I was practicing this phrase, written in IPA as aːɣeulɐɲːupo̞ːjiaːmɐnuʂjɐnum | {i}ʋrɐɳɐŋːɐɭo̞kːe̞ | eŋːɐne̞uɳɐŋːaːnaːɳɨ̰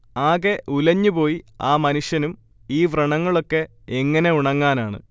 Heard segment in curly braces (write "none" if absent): iː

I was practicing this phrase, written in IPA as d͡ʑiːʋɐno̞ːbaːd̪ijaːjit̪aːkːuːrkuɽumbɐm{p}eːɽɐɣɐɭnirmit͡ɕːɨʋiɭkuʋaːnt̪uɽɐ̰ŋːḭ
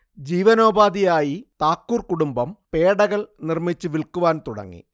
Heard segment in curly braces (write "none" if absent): p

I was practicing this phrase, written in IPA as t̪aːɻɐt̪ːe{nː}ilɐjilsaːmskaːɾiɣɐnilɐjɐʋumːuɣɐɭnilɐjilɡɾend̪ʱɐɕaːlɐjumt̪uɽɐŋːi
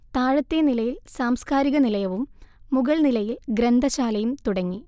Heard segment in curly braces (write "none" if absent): n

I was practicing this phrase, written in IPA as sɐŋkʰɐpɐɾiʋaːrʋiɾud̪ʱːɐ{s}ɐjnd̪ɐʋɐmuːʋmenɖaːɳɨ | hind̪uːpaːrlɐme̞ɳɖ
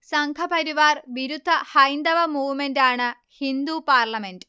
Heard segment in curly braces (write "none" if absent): h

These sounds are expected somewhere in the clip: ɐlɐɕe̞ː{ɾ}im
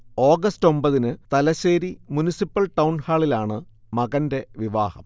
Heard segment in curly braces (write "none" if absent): ɾ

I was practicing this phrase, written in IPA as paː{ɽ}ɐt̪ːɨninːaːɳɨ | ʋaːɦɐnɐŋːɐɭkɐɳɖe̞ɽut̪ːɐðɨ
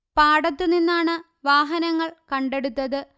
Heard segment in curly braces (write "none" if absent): ɽ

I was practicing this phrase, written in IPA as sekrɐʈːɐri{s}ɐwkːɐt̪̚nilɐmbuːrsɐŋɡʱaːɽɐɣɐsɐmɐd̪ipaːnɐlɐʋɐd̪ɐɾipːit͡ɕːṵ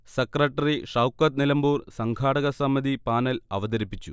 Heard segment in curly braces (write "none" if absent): ʂ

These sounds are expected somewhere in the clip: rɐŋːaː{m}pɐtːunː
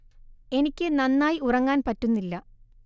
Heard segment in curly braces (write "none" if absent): n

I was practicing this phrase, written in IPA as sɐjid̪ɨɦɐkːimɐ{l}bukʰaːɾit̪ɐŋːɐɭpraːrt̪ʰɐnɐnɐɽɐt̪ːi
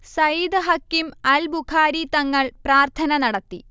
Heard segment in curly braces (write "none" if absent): l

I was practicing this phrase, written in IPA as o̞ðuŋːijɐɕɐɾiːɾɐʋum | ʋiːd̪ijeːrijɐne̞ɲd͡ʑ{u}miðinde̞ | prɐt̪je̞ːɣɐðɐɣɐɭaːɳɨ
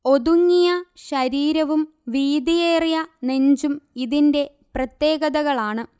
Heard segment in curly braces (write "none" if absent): u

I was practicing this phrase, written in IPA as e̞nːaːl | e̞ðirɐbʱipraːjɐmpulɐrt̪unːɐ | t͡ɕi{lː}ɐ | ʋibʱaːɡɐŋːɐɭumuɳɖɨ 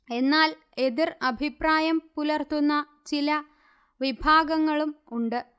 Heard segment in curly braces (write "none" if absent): l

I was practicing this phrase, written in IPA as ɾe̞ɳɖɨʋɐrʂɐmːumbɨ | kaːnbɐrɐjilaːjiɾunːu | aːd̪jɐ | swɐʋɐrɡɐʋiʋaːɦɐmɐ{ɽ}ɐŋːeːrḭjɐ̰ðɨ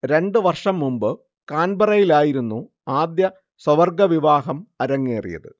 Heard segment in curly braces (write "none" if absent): ɾ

